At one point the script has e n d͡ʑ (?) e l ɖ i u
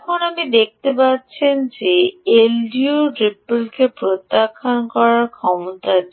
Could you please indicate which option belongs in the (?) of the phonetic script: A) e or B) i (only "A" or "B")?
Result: A